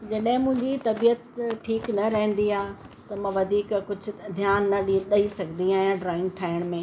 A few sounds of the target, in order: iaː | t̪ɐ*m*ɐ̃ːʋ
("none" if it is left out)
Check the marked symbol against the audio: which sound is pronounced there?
m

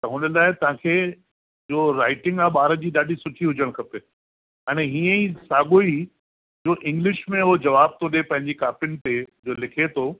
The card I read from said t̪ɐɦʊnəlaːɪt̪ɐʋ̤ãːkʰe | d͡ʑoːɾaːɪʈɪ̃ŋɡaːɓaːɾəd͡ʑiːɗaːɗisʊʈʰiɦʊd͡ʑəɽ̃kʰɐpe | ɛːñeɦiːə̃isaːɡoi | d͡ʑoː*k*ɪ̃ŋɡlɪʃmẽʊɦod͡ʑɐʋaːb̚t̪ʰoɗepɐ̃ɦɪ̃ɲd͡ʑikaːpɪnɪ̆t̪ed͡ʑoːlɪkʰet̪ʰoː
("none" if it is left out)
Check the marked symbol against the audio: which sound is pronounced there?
ʔ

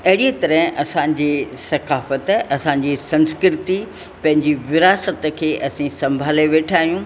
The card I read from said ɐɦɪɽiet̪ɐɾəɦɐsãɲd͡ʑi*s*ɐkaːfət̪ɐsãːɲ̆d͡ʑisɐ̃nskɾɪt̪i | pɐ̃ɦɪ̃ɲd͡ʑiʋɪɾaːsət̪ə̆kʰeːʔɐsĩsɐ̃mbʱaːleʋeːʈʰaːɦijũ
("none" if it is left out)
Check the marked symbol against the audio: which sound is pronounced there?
s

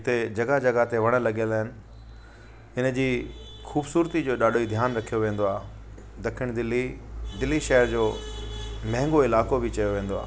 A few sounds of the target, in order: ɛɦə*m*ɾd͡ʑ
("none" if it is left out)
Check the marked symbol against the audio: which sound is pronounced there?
none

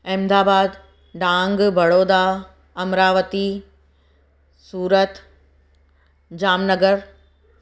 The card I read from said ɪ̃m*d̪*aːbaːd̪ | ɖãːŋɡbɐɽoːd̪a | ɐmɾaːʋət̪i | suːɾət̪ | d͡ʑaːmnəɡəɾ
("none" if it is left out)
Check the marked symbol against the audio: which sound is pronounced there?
d̪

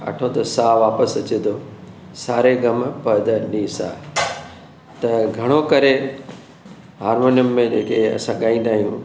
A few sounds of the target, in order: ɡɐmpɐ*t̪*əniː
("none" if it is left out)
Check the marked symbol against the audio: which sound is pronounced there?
d̪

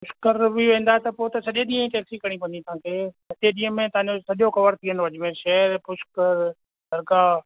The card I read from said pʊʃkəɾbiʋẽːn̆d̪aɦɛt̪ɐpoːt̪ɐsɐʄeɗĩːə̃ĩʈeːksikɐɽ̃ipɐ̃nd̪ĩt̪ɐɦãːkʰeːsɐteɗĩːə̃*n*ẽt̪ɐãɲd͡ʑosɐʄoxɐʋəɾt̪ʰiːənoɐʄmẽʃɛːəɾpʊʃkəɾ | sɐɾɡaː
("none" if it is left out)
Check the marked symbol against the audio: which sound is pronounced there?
m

